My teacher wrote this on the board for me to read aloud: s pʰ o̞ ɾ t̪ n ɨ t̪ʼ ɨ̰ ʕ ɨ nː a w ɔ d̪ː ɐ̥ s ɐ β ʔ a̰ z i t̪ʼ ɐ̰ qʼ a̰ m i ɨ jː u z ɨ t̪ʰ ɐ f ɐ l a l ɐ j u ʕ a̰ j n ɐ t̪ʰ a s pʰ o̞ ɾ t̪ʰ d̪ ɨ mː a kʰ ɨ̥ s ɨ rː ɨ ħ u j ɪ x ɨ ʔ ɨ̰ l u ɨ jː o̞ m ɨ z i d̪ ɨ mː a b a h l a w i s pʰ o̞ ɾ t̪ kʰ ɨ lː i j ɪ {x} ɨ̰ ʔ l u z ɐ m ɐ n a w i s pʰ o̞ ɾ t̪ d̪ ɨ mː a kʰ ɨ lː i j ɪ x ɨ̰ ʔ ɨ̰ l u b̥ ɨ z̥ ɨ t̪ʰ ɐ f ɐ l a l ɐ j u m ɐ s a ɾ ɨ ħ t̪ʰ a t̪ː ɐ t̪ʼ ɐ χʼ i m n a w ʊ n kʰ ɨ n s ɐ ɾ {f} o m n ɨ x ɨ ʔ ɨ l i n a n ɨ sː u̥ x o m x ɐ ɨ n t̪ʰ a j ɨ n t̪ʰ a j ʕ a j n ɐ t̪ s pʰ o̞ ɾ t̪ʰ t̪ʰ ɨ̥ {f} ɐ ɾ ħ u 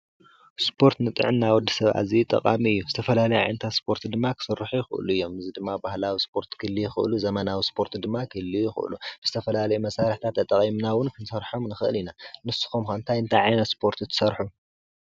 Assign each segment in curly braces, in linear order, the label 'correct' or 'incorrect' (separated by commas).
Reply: correct, incorrect, incorrect